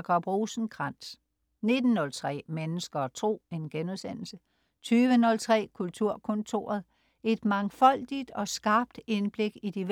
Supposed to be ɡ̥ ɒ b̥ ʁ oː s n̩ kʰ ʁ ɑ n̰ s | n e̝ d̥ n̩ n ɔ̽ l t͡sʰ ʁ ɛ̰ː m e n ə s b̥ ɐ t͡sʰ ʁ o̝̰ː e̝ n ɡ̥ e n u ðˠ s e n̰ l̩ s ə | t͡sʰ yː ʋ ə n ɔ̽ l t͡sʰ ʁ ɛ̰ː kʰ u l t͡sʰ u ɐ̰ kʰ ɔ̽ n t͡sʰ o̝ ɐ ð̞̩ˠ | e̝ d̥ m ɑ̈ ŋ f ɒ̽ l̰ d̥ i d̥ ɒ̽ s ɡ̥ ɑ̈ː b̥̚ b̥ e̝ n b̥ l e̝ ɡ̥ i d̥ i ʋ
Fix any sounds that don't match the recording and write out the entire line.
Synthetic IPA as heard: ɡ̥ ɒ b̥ ʁ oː s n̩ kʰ ʁ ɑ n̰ s | n e̝ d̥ n̩ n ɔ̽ l t͡sʰ ʁ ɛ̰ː m e n ə s ɡ̥ ɐ t͡sʰ ʁ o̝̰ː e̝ n ɡ̥ e n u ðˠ s e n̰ l̩ s ə | t͡sʰ yː ʋ ə n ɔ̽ l t͡sʰ ʁ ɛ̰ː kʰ u l t͡sʰ u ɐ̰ kʰ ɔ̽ n t͡sʰ o̝ ɐ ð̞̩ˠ | e̝ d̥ m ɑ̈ ŋ f ɒ̽ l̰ d̥ i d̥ ɒ̽ s ɡ̥ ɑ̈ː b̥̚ d̥ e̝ n b̥ l e̝ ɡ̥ i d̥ i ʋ